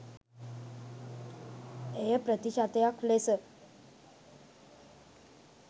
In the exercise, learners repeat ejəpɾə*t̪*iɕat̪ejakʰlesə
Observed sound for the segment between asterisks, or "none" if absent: t̪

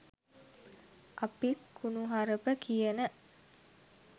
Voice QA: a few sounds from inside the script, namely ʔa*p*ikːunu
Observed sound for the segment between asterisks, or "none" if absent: p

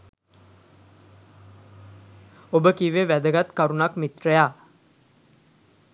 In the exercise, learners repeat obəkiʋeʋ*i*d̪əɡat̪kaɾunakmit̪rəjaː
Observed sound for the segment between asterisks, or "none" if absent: æ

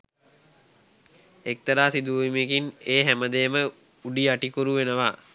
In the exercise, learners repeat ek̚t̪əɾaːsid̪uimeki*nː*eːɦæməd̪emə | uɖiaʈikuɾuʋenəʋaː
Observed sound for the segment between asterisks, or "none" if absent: n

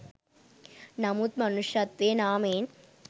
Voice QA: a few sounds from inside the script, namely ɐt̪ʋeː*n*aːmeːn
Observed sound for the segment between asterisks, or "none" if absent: n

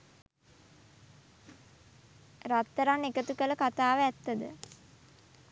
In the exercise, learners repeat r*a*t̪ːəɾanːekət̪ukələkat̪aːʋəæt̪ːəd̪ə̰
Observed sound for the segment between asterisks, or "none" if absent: a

